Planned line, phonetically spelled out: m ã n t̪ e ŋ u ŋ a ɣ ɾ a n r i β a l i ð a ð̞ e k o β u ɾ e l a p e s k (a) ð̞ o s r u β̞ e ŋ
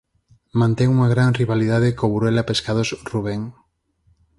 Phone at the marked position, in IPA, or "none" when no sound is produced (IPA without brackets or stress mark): a